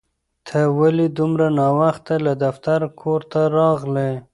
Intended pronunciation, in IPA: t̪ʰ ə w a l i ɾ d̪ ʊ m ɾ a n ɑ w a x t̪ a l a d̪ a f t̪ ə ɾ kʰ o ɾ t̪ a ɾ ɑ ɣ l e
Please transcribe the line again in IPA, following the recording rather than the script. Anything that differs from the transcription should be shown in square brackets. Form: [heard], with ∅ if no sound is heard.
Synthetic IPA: t̪ʰ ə w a l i [∅] d̪ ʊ m ɾ a n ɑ w a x t̪ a l a d̪ a f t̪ [a] ɾ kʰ o ɾ t̪ a ɾ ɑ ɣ l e